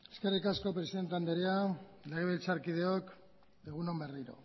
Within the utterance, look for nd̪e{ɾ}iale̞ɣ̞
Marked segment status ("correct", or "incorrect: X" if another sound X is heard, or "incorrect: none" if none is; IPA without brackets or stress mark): correct